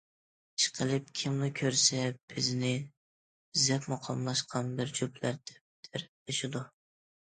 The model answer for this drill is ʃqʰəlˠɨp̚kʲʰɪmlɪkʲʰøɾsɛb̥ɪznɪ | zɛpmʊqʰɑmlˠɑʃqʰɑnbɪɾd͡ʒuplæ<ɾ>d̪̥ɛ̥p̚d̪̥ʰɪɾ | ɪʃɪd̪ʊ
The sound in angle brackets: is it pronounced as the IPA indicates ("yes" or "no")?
yes